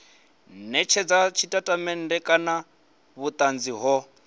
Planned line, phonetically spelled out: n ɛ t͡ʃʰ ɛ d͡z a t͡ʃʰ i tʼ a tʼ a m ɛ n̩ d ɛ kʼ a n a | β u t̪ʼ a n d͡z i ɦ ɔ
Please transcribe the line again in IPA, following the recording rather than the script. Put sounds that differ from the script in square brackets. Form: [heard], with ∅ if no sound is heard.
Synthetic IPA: n ɛ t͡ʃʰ ɛ d͡z a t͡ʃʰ i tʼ a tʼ a m ɛ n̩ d ɛ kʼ a n a | β u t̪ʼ a n d͡z i ɦ ɔ